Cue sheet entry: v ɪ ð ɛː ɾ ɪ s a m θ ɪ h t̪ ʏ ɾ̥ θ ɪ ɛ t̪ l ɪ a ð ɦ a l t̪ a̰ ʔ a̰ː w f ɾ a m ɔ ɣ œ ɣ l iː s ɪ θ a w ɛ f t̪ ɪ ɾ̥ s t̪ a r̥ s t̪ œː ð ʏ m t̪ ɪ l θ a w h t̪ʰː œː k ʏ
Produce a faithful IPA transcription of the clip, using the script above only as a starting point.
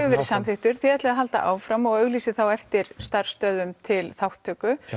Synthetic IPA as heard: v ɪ v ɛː ɾ ɪ s a m θ ɪ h t̪ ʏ ɾ̥ θ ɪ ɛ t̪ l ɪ a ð ɦ a l t̪ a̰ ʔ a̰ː w f ɾ a m ɔ ɣ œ ɣ l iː s ɪ θ a w ɛ f t̪ ɪ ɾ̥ s t̪ a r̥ s t̪ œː ð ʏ m t̪ʰ ɪ l θ a w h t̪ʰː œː k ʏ